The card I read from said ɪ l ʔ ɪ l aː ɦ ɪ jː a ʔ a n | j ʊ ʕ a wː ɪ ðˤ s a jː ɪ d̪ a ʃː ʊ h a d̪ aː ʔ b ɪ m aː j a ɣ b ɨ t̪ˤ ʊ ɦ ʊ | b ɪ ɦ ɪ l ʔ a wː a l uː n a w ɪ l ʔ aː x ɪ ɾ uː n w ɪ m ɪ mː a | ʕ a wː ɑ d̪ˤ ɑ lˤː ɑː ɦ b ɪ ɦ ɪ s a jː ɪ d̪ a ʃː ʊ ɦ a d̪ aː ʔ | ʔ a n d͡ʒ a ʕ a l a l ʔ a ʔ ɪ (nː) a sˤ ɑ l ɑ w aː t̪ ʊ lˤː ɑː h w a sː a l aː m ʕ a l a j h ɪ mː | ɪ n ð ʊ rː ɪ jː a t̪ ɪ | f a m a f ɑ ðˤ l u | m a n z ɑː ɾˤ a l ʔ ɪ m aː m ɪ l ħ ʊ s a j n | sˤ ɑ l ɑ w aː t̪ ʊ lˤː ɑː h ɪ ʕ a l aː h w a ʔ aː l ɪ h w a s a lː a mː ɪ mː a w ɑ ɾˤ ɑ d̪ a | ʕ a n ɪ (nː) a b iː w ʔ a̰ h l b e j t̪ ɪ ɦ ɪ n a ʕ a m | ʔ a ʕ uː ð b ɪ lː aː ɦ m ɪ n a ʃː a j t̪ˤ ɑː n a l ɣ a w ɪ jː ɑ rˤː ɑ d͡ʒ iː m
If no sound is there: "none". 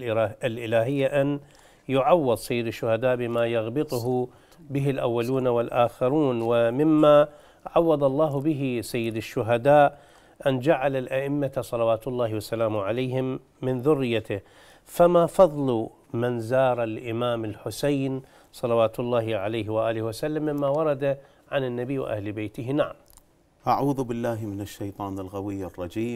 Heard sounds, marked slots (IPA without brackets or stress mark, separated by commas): mː, nː